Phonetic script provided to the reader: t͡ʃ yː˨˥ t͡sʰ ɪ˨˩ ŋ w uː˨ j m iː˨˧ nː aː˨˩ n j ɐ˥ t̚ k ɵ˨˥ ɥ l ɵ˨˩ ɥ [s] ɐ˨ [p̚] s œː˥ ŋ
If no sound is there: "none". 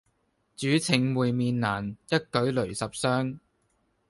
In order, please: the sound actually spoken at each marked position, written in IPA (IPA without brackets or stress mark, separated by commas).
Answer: s, p̚